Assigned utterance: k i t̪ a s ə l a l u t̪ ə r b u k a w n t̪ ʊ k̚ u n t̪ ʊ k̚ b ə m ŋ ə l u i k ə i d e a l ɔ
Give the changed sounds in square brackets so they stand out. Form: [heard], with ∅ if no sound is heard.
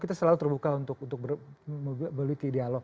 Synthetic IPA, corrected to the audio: k i t̪ a s ə l a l u t̪ ə r b u k a [u] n t̪ ʊ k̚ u n t̪ ʊ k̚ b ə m [m] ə l u i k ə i d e a l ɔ